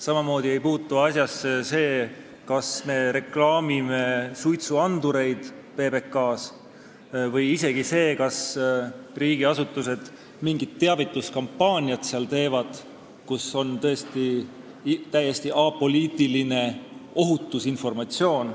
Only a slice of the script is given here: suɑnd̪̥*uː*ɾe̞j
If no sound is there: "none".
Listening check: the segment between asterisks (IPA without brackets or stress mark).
u